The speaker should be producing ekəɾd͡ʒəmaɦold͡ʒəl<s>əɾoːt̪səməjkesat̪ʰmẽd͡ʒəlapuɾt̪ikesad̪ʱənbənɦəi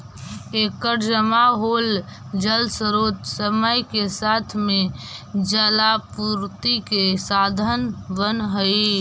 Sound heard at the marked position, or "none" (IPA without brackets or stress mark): s